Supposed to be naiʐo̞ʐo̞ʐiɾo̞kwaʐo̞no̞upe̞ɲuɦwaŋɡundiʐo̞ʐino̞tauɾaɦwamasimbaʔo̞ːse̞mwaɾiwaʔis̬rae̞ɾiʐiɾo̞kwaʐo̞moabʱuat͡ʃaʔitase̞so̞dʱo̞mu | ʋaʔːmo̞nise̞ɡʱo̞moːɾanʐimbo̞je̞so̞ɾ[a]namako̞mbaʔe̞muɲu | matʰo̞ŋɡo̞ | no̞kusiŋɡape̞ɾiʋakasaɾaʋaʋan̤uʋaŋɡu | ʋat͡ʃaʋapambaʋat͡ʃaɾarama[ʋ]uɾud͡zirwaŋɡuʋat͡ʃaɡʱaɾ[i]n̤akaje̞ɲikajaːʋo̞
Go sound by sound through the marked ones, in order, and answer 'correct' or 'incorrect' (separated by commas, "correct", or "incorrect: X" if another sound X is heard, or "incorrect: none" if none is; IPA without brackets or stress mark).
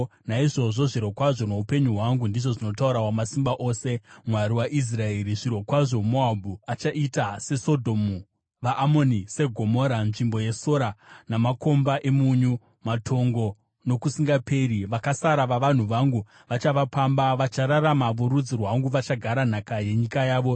correct, correct, incorrect: a